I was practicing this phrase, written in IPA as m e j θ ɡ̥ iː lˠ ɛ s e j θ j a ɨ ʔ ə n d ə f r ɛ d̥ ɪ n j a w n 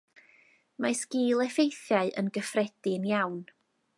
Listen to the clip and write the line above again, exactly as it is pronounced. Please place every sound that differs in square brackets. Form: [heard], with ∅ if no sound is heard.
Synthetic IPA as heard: m [a] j [s] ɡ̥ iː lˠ ɛ [f] e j θ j a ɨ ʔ ə n [ɡ] ə f r ɛ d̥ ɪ n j a w n